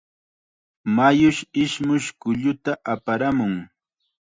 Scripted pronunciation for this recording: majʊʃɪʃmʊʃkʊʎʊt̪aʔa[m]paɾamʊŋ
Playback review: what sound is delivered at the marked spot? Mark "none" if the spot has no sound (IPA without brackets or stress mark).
none